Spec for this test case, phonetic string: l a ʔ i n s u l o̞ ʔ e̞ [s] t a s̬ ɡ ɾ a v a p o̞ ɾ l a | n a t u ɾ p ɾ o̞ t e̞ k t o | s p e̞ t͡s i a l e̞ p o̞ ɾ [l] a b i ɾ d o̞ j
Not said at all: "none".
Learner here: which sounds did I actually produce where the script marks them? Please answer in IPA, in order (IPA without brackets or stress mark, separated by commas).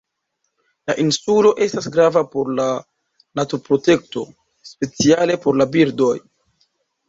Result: s, l